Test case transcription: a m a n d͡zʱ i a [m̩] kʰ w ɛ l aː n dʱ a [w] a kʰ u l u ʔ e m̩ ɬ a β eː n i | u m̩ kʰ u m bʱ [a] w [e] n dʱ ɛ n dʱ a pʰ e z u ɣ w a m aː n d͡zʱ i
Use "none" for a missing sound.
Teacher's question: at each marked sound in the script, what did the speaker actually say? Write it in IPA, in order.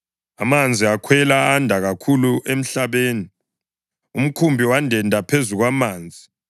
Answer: none, ɣ, i, a

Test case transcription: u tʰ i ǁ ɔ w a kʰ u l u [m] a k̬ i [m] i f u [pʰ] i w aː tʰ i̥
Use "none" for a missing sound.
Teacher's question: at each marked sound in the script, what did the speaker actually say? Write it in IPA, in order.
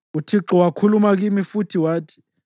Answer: m, m, tʰ

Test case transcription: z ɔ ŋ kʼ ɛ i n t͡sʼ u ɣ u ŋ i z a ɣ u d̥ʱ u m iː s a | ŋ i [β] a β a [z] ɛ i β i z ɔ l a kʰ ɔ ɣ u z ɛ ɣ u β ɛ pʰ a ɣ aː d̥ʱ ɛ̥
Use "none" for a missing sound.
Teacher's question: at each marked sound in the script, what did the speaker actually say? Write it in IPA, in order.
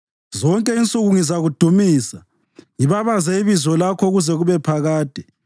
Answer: β, z

